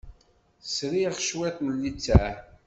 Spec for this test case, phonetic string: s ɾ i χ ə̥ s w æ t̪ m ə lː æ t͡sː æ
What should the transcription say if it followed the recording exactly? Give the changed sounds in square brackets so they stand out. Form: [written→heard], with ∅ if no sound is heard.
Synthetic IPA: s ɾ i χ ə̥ [s→ʃ] w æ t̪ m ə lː [æ→i] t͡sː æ